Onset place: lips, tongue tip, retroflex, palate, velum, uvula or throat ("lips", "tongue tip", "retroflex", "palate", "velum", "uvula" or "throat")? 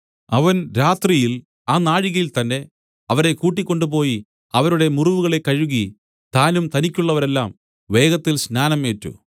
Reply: lips